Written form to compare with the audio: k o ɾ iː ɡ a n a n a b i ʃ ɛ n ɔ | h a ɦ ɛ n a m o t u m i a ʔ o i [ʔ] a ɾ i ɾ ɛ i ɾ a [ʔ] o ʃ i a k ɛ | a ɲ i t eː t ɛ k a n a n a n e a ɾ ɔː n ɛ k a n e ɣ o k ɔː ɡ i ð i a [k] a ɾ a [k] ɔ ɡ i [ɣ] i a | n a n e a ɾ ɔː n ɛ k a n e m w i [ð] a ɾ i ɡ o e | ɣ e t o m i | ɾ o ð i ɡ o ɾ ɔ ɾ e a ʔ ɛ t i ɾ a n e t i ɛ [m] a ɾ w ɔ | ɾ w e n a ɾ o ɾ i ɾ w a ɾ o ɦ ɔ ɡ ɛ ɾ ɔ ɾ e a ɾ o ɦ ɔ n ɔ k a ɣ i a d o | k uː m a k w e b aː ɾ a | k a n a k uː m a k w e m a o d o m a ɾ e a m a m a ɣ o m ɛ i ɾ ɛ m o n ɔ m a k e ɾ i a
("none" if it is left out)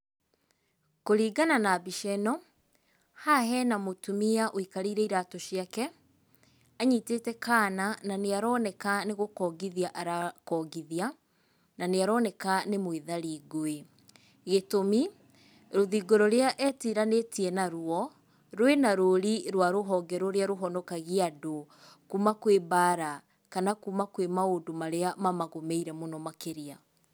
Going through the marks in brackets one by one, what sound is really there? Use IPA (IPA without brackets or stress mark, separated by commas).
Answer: k, t, ʔ, k, ð, ð, n